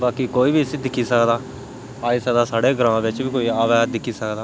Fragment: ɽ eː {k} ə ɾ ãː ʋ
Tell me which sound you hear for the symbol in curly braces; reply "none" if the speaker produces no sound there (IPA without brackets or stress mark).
ɡ